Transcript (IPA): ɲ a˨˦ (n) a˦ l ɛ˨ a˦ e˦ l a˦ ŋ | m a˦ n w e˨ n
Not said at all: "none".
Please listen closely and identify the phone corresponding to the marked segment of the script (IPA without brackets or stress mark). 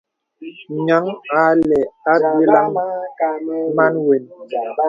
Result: ŋ